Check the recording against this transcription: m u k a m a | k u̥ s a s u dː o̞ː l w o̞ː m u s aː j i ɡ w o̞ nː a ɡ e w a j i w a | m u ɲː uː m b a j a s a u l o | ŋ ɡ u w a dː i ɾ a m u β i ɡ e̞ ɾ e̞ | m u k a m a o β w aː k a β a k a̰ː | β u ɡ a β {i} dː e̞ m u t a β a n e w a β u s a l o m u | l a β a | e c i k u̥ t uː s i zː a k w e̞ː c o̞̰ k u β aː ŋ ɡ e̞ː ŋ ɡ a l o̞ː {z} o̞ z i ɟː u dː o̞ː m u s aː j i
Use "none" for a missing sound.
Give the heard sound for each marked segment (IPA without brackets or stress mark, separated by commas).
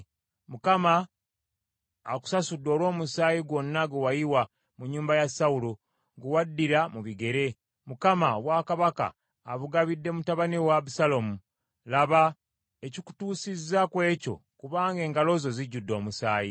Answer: i, z